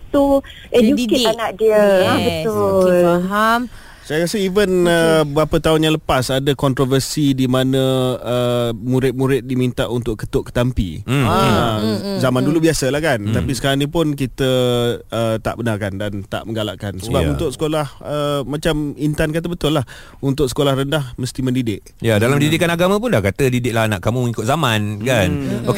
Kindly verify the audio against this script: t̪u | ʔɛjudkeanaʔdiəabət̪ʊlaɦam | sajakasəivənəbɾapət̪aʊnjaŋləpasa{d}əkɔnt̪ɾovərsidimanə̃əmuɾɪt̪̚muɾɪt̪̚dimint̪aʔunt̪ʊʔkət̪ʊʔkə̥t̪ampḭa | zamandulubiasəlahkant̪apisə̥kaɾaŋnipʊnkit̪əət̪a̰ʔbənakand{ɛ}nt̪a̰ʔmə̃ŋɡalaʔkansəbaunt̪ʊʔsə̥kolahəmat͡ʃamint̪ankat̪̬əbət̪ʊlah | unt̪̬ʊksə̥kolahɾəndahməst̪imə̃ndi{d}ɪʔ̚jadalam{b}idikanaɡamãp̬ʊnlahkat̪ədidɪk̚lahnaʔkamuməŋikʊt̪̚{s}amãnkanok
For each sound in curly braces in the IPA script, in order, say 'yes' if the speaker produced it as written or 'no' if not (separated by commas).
yes, no, yes, no, no